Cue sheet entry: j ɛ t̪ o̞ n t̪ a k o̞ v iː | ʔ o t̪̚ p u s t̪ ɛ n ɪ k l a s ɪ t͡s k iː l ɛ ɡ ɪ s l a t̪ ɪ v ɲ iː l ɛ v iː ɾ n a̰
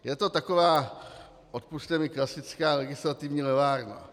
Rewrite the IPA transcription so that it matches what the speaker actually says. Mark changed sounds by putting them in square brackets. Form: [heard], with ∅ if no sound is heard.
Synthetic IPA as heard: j ɛ t̪ o̞ [∅] t̪ a k o̞ v [aː] | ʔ o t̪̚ p u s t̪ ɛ [m] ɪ k l a s ɪ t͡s k [aː] l ɛ ɡ ɪ s l a t̪ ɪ v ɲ iː l ɛ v [aː] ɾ n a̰

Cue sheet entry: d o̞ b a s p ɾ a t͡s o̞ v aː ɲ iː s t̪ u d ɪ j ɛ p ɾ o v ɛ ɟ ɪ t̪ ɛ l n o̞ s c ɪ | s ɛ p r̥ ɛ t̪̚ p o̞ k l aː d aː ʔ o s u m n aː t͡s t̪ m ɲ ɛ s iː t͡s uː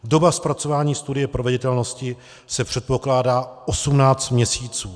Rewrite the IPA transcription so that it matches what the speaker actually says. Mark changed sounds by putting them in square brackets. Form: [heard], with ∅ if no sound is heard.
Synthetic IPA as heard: d o̞ b a s p ɾ a t͡s o̞ v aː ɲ iː s t̪ u d ɪ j ɛ p ɾ o v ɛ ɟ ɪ t̪ ɛ l n o̞ s c ɪ | s ɛ p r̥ ɛ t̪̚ p o̞ k l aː d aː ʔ o s u m n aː t͡s t̪ m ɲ ɛ s iː t͡s uː

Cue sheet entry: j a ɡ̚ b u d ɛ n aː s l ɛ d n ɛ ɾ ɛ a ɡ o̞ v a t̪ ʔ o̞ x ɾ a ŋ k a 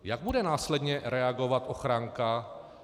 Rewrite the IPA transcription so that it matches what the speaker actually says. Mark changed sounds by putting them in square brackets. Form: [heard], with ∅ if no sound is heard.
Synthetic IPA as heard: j a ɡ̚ b u d ɛ n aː s l ɛ d [ɲ] ɛ ɾ ɛ a ɡ o̞ v a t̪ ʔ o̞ x ɾ a ŋ k a

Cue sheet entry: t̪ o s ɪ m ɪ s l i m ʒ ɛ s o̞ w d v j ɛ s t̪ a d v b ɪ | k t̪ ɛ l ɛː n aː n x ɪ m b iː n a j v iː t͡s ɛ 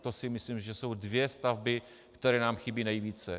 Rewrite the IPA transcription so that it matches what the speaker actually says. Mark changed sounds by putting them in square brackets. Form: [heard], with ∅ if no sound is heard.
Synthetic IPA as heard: t̪ o s ɪ m ɪ s l i m ʒ ɛ s o̞ w d v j ɛ s t̪ a [∅] v b ɪ | k t̪ ɛ [ɾ] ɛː n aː [m] x ɪ [∅] b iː n [ɛ] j v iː t͡s ɛ

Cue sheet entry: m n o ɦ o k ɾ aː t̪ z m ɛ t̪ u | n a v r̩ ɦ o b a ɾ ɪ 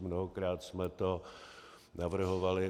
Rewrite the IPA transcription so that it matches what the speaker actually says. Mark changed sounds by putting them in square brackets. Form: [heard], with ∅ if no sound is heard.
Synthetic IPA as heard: m n o ɦ o k ɾ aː t̪ [s] m ɛ t̪ [o] | n a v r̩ ɦ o [v] a [l] ɪ

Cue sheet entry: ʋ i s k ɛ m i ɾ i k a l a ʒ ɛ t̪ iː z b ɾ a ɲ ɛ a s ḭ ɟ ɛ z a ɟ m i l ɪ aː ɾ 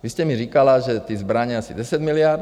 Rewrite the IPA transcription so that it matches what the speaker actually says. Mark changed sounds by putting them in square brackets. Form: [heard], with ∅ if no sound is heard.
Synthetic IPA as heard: ʋ i s [c] ɛ m i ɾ i k a l a ʒ ɛ t̪ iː z b ɾ a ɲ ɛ a s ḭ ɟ ɛ [s] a ɟ m i l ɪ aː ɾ

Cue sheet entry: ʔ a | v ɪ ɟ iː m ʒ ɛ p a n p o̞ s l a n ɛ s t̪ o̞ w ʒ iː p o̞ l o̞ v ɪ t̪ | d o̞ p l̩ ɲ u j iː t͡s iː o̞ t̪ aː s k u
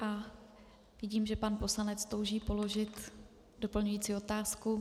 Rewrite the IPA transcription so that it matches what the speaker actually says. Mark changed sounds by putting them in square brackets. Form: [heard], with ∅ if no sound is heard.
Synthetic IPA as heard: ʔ a | v ɪ ɟ iː m ʒ ɛ p a n p o̞ s l a n ɛ [t͡s] t̪ o̞ w ʒ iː p o̞ l o̞ [ʒ] ɪ t̪ | d o̞ p l̩ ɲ u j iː t͡s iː o̞ t̪ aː s k u

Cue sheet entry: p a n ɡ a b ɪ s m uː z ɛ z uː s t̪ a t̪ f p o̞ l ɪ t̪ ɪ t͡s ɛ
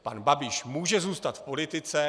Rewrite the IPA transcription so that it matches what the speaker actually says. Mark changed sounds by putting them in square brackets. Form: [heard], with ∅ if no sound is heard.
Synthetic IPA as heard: p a n [b] a b ɪ [ʃ] m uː [ʒ] ɛ z uː s t̪ a t̪ f p o̞ l ɪ t̪ ɪ t͡s ɛ

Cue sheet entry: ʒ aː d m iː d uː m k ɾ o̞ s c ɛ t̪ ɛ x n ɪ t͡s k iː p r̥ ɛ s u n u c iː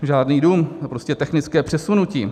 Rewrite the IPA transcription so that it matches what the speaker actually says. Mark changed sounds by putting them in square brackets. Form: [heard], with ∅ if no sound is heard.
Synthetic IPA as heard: ʒ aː d [n] iː d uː m [p] ɾ o̞ s c ɛ t̪ ɛ x n ɪ t͡s k [ɛː] p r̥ ɛ s u n u c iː

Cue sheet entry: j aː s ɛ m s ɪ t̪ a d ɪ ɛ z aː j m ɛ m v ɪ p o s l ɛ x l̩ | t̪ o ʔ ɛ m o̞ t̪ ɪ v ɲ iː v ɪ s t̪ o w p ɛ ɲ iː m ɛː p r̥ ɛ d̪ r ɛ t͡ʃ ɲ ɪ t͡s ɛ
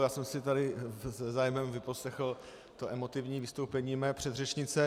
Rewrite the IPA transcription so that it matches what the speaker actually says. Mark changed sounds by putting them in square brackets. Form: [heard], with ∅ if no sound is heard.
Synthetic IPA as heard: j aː s ɛ m s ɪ t̪ a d ɪ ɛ z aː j m ɛ m v ɪ p o s l ɛ x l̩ | t̪ o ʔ ɛ m o̞ t̪ ɪ v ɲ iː v ɪ s t̪ o w p ɛ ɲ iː m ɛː p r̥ ɛ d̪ r ɛ t͡ʃ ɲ ɪ t͡s ɛ

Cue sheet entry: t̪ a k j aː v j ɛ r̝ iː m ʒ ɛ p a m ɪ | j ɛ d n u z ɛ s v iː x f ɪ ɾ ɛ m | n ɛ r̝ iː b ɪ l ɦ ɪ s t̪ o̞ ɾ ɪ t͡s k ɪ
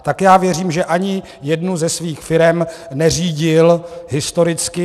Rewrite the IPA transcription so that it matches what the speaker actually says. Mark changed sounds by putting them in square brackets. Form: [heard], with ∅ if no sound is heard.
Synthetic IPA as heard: t̪ a k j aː v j ɛ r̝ iː m ʒ ɛ [ʔ] a [ɲ] ɪ | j ɛ d n u z ɛ s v iː x f ɪ ɾ ɛ m | n ɛ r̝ iː [ɟ] ɪ l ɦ ɪ s t̪ o̞ ɾ ɪ t͡s k ɪ

